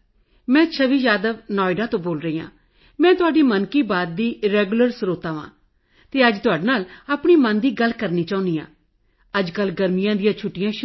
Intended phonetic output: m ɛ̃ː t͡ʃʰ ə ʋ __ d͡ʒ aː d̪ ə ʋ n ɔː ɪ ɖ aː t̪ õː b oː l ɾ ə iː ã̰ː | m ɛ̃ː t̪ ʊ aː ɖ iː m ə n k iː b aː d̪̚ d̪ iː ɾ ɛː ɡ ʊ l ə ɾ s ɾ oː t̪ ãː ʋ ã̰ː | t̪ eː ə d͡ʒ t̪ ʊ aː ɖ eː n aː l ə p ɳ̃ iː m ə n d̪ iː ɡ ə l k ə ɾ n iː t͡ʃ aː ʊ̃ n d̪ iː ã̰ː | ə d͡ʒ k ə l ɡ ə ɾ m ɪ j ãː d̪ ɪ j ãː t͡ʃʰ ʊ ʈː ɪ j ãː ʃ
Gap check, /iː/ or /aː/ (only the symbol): iː